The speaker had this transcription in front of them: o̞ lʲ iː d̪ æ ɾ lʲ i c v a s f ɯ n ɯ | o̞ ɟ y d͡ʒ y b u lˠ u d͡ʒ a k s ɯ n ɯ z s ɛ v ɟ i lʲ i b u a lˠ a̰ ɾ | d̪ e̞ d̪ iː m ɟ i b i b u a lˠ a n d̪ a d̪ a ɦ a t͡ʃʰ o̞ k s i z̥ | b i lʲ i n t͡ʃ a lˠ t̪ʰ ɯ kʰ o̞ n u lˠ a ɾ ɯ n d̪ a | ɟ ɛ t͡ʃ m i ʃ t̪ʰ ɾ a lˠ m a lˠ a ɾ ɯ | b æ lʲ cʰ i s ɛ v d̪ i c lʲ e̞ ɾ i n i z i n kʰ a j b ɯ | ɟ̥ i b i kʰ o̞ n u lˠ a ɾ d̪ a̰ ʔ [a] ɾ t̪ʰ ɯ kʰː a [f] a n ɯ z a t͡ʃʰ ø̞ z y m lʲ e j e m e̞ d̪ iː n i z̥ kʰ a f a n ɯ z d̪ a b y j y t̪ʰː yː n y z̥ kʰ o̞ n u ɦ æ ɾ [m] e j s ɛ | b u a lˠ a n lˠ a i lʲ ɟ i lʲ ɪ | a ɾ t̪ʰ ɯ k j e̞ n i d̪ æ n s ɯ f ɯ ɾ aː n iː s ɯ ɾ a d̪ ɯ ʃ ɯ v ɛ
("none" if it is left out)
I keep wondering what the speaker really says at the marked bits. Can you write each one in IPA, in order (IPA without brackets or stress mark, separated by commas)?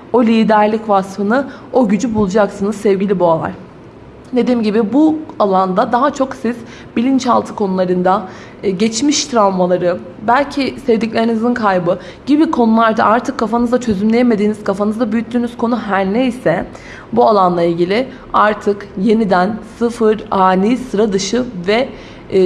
a, f, n